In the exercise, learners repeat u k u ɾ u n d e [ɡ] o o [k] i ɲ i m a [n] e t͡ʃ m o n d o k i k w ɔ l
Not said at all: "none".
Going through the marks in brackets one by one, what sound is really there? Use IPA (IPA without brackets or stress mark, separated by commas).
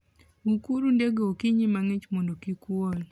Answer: ɡ, k, ŋ